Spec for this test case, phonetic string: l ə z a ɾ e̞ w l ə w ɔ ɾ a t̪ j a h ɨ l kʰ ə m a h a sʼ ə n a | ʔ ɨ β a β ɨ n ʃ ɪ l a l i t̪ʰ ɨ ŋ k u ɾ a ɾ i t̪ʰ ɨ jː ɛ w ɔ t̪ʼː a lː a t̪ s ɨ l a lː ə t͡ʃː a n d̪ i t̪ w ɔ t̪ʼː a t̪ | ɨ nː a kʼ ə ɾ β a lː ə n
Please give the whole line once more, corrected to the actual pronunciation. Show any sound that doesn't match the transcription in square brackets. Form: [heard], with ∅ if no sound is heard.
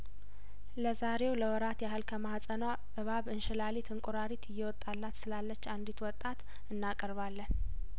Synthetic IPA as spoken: l ə z a ɾ e̞ w l ə w ɔ ɾ a t̪ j a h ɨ l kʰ ə m a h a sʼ ə n a | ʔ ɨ β a β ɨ n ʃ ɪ l a l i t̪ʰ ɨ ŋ [kʼ] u ɾ a ɾ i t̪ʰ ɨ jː ɛ w ɔ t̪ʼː a lː a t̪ s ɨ l a lː ə t͡ʃː a n d̪ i t̪ w ɔ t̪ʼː a t̪ | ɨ nː a kʼ ə ɾ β a lː ə n